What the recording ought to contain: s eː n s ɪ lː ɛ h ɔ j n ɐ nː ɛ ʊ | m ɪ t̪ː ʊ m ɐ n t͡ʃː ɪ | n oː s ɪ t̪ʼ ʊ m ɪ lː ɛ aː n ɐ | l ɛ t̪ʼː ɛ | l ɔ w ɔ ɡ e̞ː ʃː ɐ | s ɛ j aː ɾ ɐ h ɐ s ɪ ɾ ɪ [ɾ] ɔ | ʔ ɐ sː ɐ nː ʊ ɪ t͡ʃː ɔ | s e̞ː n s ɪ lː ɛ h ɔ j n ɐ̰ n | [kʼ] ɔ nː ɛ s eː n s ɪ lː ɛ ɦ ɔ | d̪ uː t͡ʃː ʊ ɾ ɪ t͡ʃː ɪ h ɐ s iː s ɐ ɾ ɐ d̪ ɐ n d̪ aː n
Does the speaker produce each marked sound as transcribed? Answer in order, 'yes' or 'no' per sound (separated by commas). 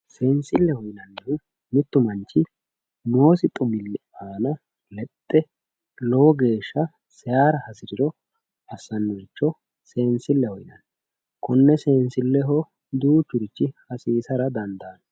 yes, no